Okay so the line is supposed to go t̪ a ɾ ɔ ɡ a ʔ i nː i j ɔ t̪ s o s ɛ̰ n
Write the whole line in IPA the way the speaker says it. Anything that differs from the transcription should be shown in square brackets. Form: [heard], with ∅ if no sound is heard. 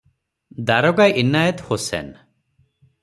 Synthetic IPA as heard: [d̪] a ɾ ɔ ɡ a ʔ i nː [a] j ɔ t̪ [h] o s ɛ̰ n